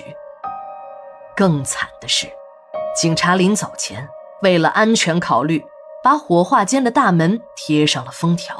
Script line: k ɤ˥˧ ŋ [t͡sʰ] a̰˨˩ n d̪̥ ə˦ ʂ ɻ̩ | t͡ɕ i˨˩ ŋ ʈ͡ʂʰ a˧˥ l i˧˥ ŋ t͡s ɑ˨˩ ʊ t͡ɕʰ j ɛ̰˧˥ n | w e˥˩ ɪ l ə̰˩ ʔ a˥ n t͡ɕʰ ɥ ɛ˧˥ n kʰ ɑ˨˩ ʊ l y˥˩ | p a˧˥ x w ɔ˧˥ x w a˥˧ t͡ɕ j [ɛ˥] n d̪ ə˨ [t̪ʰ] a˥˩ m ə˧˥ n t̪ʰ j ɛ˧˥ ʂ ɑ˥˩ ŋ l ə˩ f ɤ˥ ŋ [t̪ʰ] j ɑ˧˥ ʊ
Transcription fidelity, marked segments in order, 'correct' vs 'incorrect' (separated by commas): correct, correct, incorrect, correct